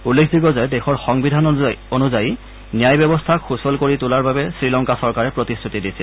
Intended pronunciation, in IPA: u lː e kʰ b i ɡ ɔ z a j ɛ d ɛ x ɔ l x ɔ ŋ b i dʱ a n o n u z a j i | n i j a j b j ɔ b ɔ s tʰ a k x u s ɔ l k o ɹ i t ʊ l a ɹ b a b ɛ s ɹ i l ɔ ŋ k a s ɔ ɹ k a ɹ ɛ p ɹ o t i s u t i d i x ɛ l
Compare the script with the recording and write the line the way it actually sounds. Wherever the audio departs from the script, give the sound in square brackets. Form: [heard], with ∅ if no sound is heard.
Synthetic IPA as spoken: u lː e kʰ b i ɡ ɔ z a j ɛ d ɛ x ɔ [ɹ] x ɔ ŋ b i dʱ a n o n u z a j i | n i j a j b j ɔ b ɔ s tʰ a k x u s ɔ l k o ɹ i t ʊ l a ɹ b a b ɛ s ɹ i l ɔ ŋ k a s ɔ ɹ k a ɹ ɛ p ɹ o t i s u t i d i [s] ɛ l

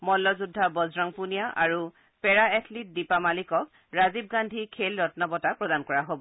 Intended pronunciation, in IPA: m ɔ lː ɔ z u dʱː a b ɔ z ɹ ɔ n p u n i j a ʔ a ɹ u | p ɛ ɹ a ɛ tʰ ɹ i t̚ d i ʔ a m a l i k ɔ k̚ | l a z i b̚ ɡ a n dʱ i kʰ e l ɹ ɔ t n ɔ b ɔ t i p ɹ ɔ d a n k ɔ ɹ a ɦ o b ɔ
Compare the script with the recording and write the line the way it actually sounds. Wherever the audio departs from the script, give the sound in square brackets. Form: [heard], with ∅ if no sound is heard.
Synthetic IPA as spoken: m ɔ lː ɔ z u dʱː a b ɔ z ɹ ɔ [ŋ] p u n i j a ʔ a ɹ u | p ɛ ɹ a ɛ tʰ [l] i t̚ d i [p] a m a l i k ɔ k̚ | [ɹ] a z i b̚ ɡ a n dʱ i kʰ e l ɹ ɔ t n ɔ b ɔ t [a] p ɹ ɔ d a n k ɔ ɹ a ɦ o b ɔ

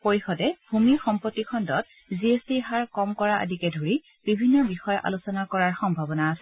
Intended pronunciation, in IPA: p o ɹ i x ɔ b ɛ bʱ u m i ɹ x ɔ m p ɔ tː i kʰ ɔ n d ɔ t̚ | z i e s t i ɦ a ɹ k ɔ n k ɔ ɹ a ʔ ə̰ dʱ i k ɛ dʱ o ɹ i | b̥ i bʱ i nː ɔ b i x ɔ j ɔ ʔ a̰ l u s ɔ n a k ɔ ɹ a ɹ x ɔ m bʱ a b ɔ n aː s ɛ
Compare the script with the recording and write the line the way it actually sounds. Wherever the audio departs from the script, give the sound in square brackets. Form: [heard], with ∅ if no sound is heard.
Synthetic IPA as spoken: p o ɹ i x ɔ [d] ɛ bʱ u m i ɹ x ɔ m p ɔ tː i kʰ ɔ n d ɔ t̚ | z i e s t i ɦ a ɹ k ɔ [m] k ɔ ɹ a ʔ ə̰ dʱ i k ɛ dʱ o ɹ i | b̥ i bʱ i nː ɔ b i x ɔ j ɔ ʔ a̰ l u s ɔ n a k ɔ ɹ a ɹ x ɔ m bʱ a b ɔ n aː s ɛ

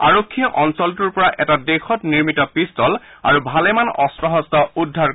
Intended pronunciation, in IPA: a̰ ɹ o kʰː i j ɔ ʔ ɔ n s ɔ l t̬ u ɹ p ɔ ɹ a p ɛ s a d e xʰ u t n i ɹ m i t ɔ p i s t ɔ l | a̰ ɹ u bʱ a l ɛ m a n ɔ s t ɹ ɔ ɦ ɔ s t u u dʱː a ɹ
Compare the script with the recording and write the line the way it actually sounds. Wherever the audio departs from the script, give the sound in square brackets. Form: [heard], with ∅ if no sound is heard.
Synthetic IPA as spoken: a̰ ɹ o kʰː i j ɔ ʔ ɔ n s ɔ l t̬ u ɹ p ɔ ɹ a [ʔ] ɛ [t] a d e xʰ [ɔ] t n i ɹ m i t ɔ p i s t ɔ l | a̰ ɹ u bʱ a l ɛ m a n ɔ s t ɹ ɔ ɦ ɔ s t [ɔ] u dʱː a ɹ

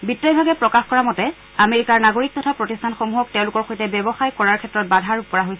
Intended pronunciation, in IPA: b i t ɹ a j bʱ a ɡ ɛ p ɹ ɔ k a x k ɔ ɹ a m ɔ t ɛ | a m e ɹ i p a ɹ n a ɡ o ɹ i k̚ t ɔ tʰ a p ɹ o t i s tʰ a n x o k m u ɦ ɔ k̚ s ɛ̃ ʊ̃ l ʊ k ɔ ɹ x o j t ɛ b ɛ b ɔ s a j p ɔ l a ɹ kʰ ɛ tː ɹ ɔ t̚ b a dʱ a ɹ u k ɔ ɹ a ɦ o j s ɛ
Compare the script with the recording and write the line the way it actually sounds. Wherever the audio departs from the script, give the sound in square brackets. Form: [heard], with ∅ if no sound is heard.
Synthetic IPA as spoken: b i t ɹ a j bʱ a ɡ ɛ p ɹ ɔ k a x k ɔ ɹ a m ɔ t ɛ | a m e ɹ i [k] a ɹ n a ɡ o ɹ i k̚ t ɔ tʰ a p ɹ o t i s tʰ a n x o [∅] m u ɦ ɔ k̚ [t] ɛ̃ ʊ̃ l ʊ k ɔ ɹ x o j t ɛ b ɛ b ɔ [x] a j [k] ɔ [ɹ] a ɹ kʰ ɛ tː ɹ ɔ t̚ b a dʱ a ɹ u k ɔ ɹ a ɦ o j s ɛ

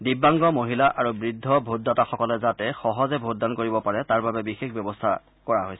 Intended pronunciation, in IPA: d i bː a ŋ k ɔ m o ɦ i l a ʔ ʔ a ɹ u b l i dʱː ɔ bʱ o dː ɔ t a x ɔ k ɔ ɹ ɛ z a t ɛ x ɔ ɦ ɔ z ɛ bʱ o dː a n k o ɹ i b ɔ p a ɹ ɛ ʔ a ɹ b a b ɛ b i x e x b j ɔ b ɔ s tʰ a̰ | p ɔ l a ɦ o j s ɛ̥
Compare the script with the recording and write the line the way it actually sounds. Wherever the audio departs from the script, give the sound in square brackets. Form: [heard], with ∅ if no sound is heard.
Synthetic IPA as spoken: d i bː a ŋ [ɡ] ɔ m o ɦ i l a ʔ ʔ a ɹ u b [ɹ] i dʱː ɔ bʱ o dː ɔ t a x ɔ k ɔ [l] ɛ z a t ɛ x ɔ ɦ ɔ z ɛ bʱ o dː a n k o ɹ i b ɔ p a ɹ ɛ [t] a ɹ b a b ɛ b i x e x b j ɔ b ɔ s tʰ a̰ | [k] ɔ [ɹ] a ɦ o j s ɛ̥

